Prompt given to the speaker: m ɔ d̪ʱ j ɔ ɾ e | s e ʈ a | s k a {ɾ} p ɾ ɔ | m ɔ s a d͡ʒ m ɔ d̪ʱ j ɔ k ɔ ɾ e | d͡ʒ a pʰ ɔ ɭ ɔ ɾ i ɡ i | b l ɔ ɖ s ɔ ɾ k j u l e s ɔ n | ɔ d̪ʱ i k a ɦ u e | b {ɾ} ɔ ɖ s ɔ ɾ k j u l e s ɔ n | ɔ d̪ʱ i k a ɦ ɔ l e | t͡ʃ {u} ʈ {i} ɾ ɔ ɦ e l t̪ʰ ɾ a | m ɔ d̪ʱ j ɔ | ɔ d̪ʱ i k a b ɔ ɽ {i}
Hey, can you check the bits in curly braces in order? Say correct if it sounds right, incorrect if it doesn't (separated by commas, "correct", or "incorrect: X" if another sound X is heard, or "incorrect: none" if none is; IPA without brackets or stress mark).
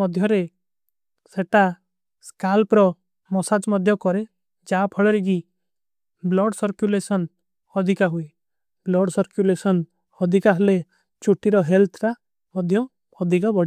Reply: incorrect: l, incorrect: l, correct, correct, correct